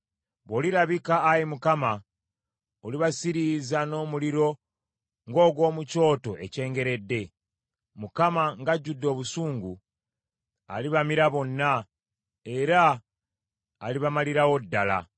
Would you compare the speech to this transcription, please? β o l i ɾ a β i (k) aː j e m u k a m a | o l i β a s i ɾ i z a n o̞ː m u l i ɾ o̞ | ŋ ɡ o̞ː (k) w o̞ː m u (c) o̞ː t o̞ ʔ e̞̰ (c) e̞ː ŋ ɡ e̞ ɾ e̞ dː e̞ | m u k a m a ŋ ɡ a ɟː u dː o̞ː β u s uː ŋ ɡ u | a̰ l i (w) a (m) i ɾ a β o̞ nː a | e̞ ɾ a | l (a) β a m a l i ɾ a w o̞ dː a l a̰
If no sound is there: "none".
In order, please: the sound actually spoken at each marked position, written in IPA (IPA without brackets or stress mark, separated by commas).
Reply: k, ɡ, c, c, β, m, i